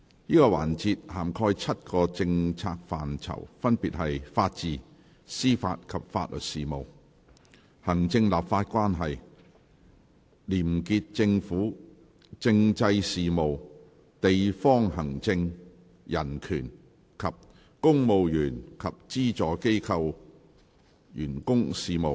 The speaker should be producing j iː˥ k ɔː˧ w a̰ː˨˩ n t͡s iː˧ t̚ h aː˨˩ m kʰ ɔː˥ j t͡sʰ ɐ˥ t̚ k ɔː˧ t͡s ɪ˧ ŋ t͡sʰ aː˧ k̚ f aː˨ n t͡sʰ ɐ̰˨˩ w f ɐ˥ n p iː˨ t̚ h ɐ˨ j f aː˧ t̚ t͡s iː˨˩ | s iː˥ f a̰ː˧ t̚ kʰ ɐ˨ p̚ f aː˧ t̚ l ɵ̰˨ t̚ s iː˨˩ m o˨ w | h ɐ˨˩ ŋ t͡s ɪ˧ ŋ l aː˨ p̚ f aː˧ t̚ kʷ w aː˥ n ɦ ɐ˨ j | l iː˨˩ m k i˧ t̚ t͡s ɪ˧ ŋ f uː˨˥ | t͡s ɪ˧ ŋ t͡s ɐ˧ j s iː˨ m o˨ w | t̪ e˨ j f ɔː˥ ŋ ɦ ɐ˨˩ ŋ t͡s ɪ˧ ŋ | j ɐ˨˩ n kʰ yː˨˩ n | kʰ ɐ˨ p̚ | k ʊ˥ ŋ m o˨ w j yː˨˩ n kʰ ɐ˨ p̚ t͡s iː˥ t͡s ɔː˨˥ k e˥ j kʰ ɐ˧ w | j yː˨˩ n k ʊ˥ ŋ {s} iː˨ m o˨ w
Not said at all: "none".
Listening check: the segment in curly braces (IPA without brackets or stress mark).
s